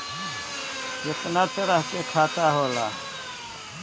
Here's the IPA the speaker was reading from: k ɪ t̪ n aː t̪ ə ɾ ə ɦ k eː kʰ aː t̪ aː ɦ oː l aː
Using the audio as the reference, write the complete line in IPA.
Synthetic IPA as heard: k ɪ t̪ n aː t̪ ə ɾ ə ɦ k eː kʰ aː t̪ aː ɦ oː l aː